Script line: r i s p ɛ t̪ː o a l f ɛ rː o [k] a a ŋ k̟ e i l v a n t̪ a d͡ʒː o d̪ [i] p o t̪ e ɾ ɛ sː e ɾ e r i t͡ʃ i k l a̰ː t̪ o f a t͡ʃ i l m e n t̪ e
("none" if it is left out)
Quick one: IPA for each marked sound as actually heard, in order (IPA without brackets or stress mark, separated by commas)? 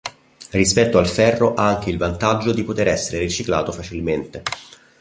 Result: ʔ, i